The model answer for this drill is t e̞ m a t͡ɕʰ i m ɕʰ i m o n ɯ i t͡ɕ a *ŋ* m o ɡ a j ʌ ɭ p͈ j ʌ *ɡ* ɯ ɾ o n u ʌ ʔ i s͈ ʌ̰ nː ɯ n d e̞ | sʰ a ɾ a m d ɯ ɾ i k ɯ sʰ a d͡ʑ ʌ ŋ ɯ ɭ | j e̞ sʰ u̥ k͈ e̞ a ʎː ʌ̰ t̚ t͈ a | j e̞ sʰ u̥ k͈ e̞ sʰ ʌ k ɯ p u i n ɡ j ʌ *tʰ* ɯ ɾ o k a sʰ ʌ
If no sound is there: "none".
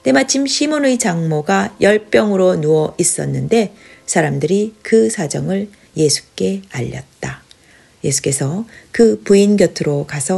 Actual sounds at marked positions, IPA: ŋ, ŋ, tʰ

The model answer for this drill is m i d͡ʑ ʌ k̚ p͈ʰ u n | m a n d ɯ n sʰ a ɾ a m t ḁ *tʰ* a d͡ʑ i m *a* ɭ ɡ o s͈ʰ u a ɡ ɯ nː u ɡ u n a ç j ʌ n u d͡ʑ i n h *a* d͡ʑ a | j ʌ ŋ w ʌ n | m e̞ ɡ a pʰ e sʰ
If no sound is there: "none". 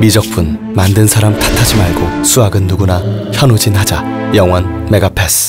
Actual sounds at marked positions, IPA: tʰ, a, a

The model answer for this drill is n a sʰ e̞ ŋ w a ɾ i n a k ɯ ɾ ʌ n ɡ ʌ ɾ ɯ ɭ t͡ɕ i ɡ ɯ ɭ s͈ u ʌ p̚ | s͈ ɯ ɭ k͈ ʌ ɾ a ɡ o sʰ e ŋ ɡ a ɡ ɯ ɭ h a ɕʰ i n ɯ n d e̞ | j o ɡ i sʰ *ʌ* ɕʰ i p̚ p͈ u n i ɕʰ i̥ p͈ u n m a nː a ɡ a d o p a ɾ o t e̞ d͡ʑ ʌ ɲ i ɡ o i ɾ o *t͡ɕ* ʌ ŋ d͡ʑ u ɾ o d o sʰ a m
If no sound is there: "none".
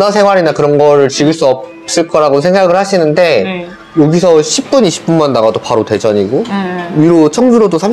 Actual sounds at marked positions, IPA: ʌ, t͡ɕʰ

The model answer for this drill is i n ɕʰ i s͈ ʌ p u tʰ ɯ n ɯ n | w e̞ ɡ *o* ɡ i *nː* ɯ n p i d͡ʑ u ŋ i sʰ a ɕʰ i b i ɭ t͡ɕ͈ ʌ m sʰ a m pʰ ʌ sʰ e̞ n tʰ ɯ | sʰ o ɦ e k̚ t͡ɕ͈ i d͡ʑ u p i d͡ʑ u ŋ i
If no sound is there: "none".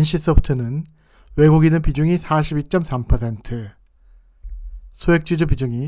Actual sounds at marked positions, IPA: u, n

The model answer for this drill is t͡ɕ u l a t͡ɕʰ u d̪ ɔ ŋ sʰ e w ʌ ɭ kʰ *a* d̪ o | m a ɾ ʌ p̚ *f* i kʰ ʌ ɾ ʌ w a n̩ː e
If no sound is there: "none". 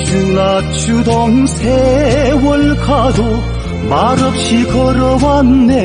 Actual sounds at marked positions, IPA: a, ɕ

